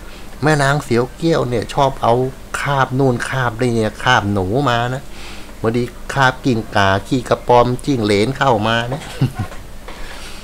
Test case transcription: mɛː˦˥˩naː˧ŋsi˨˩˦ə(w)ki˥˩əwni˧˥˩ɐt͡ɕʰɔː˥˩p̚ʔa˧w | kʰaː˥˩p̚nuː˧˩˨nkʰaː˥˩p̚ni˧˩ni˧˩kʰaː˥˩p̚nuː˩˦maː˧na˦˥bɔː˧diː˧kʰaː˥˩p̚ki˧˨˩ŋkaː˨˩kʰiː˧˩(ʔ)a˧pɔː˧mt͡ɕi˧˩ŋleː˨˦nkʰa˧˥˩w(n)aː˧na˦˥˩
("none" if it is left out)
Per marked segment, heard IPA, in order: w, k, m

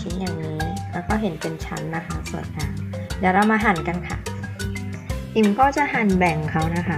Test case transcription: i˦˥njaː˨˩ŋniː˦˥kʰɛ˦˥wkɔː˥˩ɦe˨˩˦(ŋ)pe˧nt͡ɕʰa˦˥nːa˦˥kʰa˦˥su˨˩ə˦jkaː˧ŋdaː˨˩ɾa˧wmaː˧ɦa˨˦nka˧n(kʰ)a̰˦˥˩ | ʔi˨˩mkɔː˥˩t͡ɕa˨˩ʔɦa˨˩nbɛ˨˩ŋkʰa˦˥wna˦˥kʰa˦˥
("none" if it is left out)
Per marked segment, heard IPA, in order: n, kʰ

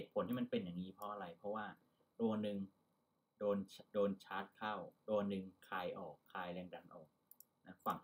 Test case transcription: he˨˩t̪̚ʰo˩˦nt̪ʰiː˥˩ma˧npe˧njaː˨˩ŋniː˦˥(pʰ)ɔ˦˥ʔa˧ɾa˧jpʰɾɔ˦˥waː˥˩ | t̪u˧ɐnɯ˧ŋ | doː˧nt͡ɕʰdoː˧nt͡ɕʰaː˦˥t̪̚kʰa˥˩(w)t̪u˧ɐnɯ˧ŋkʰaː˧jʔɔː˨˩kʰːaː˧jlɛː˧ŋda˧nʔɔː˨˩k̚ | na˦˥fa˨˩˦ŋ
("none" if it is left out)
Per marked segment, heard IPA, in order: pʰ, w

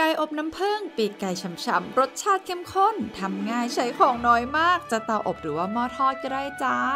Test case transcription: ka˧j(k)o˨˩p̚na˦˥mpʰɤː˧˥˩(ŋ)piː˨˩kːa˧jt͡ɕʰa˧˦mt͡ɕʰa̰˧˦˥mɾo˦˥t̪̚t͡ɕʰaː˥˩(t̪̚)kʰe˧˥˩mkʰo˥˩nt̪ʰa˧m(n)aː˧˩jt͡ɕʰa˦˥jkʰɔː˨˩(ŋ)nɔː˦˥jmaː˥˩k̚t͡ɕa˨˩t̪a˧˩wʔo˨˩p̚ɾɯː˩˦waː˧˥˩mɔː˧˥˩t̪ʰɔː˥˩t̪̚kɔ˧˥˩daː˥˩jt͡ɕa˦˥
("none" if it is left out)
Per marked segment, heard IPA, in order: ʔ, ŋ, t̪̚, ŋ, ŋ

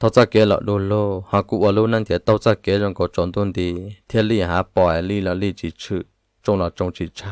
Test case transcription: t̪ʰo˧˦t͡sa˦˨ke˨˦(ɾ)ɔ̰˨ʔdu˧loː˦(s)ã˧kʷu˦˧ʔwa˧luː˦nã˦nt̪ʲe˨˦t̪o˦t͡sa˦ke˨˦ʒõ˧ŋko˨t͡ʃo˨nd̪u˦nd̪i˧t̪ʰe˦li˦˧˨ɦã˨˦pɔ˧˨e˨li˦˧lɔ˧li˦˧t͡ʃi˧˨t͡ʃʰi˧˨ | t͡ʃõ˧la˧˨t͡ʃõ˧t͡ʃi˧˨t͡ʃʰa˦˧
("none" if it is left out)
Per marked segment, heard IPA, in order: l, h

